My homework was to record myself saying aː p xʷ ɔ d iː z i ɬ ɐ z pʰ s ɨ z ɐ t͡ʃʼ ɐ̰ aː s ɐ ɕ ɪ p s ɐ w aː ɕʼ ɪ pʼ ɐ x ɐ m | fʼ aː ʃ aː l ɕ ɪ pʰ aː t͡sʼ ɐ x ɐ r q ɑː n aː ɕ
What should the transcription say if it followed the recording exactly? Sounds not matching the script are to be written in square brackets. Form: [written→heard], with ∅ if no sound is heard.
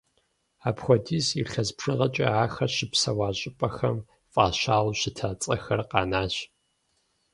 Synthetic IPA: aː p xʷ ɔ d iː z i ɬ ɐ z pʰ [s→ʂ] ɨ [z→ʁ] ɐ t͡ʃʼ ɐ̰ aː [s→x] ɐ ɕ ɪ p s ɐ w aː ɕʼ ɪ pʼ ɐ x ɐ m | fʼ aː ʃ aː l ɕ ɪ [pʰ→tʰ] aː t͡sʼ ɐ x ɐ r q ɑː n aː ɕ